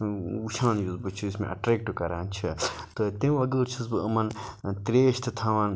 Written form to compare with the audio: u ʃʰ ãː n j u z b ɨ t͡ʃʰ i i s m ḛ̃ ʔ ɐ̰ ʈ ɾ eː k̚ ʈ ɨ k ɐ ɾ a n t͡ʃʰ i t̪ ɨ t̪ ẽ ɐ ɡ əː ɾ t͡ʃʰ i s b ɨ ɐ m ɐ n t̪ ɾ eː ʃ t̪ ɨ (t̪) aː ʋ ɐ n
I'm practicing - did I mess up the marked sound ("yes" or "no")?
yes